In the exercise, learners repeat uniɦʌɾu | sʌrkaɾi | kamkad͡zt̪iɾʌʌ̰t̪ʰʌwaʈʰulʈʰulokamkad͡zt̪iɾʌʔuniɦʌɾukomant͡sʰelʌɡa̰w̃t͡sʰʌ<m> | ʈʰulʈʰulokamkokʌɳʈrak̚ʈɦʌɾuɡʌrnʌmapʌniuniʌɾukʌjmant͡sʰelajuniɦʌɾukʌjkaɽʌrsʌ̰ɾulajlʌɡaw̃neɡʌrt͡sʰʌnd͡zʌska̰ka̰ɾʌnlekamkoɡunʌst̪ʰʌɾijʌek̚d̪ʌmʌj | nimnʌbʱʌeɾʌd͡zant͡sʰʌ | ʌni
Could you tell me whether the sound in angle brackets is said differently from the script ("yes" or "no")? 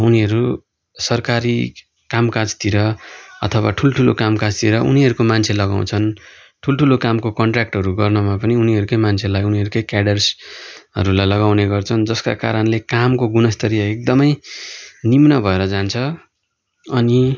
yes